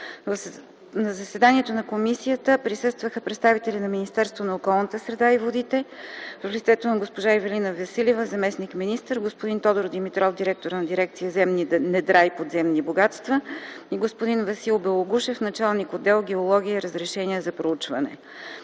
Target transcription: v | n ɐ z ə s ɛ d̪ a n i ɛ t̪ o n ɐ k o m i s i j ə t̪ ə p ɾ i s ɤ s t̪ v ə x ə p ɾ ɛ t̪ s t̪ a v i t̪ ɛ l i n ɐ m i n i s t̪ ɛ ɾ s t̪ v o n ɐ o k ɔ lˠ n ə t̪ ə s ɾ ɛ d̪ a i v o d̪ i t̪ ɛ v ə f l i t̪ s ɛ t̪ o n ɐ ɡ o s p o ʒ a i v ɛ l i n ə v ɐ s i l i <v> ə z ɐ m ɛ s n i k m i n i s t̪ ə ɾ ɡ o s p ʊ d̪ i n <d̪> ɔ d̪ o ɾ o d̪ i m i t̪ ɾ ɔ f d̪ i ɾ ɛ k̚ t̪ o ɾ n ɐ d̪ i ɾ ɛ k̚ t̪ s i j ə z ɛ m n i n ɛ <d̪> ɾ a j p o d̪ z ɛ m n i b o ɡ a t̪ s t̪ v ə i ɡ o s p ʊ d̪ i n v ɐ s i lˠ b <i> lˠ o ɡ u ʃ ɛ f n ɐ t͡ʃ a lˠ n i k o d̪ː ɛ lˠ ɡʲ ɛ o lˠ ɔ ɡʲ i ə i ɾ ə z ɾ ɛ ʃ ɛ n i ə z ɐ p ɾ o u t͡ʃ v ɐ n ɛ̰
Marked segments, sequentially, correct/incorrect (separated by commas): correct, incorrect, correct, incorrect